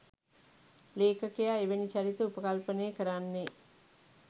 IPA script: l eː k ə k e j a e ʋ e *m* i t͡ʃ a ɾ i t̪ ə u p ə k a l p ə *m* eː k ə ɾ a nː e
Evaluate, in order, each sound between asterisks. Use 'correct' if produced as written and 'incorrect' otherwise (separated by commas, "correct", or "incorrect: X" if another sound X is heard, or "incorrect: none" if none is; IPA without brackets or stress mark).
incorrect: n, incorrect: n